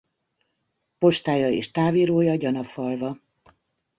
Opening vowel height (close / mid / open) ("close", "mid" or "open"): mid